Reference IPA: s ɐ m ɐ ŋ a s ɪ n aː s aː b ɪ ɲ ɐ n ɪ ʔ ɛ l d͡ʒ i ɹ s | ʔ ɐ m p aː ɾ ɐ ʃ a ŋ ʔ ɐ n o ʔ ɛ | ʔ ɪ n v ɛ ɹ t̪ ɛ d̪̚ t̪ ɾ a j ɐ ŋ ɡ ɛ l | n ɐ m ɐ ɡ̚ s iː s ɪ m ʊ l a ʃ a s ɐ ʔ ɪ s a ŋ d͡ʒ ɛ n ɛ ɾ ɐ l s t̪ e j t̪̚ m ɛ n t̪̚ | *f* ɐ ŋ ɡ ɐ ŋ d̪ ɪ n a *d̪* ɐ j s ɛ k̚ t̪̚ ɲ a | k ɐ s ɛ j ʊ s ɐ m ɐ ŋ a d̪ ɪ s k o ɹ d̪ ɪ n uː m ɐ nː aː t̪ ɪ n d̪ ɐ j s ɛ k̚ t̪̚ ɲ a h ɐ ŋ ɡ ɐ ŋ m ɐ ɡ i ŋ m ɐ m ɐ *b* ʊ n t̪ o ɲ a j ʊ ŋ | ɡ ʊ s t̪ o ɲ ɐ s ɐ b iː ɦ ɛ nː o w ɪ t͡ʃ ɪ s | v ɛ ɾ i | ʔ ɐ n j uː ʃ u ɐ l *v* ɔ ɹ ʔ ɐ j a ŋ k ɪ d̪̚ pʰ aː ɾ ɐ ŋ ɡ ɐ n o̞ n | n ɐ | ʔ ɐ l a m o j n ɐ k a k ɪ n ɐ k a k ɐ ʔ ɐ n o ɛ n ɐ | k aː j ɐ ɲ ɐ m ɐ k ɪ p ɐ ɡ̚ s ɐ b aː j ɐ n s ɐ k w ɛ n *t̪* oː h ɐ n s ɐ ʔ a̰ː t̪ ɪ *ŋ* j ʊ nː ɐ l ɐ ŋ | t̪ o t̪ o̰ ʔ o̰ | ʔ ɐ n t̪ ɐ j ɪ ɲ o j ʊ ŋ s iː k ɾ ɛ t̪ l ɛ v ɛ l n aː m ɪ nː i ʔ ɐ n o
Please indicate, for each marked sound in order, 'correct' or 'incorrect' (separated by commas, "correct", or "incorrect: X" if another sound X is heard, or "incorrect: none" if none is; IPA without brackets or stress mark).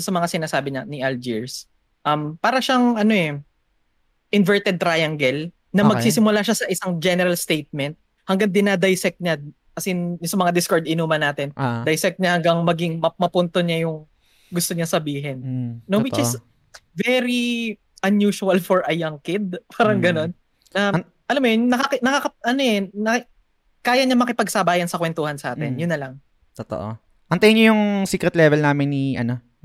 incorrect: h, correct, incorrect: p, incorrect: f, correct, incorrect: n